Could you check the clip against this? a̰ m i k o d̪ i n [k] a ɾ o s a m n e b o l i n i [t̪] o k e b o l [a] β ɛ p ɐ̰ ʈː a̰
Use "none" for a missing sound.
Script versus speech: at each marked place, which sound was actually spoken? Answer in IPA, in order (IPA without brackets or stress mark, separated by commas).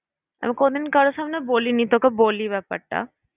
k, t̪, i